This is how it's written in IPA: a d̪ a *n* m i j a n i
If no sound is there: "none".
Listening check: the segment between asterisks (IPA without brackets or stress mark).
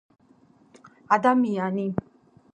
none